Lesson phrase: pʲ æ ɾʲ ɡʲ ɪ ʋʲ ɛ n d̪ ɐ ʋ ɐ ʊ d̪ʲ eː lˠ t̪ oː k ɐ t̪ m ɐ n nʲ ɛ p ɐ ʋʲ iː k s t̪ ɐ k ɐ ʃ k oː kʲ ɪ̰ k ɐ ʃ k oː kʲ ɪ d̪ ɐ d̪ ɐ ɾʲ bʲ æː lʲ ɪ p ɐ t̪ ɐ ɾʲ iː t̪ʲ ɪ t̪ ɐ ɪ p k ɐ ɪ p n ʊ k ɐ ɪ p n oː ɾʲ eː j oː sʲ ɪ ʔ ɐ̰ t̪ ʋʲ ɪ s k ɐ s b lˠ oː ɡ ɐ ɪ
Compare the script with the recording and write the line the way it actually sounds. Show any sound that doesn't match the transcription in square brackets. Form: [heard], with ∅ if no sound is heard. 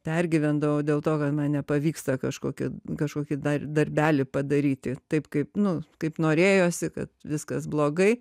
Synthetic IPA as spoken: pʲ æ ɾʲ ɡʲ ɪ ʋʲ ɛ n d̪ ɐ ʋ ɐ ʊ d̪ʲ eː lˠ t̪ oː k ɐ t̪ m ɐ n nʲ ɛ p ɐ ʋʲ iː k s t̪ ɐ k ɐ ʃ k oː kʲ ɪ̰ k ɐ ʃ k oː kʲ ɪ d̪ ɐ d̪ ɐ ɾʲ bʲ æː lʲ ɪ p ɐ [d̪] ɐ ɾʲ iː t̪ʲ ɪ t̪ ɐ ɪ p k ɐ ɪ p n ʊ k ɐ ɪ p n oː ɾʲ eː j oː sʲ ɪ [k] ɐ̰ t̪ ʋʲ ɪ s k ɐ s b lˠ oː ɡ ɐ ɪ